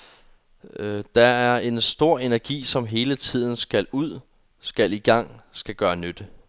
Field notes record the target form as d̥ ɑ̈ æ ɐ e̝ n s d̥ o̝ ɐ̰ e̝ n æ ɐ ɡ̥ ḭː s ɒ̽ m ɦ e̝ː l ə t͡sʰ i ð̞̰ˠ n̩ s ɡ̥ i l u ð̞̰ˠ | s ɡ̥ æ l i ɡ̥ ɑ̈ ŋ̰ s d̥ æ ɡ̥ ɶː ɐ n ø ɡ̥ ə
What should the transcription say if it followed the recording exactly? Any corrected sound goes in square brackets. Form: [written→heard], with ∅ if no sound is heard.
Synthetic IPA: d̥ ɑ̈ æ ɐ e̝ n s d̥ o̝ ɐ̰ e̝ n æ ɐ ɡ̥ ḭː s ɒ̽ m ɦ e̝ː l ə t͡sʰ i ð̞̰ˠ n̩ s ɡ̥ [i→æ] l u ð̞̰ˠ | s ɡ̥ æ l i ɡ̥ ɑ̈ ŋ̰ s [d̥→ɡ̥] æ ɡ̥ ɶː ɐ n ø [ɡ̥→d̥] ə